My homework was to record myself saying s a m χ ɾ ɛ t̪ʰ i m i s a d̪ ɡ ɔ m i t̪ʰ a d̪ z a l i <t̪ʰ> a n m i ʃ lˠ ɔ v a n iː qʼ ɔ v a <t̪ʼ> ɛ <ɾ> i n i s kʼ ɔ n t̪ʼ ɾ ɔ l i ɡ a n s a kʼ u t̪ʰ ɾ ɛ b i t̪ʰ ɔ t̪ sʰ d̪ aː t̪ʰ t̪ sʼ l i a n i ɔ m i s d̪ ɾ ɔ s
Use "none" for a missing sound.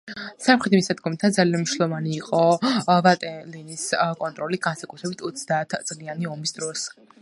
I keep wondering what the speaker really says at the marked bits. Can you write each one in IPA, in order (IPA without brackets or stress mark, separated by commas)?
none, t̪ʼ, l